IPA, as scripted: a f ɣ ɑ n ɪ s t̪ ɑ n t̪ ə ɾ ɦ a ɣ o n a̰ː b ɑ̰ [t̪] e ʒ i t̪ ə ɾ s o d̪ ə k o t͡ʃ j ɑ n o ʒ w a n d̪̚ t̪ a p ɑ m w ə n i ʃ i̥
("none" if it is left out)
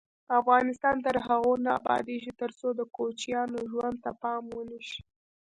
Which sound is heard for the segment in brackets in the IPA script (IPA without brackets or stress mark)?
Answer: d̪